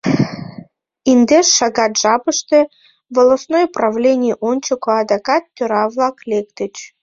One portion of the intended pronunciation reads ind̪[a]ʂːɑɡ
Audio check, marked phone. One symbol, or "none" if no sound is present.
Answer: e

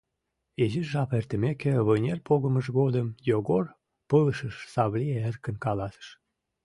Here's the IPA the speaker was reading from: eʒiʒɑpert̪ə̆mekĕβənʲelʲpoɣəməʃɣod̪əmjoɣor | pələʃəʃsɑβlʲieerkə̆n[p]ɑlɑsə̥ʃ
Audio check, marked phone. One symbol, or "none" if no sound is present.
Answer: k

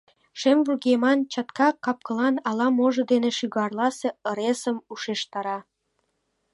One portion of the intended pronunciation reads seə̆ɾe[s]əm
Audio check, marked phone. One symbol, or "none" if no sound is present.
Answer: s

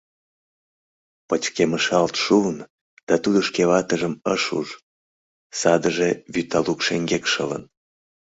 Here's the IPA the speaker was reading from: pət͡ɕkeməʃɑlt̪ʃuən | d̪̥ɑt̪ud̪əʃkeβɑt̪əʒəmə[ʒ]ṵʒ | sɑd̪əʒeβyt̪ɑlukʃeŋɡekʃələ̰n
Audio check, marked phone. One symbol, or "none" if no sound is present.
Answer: ʃ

